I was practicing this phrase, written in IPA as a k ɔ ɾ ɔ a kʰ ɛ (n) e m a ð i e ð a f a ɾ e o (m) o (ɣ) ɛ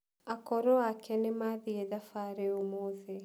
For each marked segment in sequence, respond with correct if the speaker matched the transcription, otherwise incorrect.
correct, correct, incorrect: ð

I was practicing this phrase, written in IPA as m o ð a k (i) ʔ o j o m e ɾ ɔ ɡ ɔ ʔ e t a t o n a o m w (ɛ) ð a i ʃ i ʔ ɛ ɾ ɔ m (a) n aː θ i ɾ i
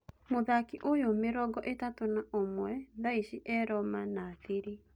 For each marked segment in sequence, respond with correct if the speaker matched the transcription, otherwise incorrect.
correct, correct, correct

